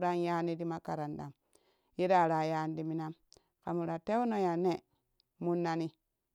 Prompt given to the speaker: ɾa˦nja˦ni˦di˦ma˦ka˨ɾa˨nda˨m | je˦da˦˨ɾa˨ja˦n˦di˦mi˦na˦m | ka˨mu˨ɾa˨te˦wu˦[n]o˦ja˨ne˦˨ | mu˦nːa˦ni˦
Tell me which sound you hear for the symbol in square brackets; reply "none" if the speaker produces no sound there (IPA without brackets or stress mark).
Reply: n